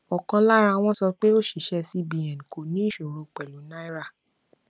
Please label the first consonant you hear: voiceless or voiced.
voiceless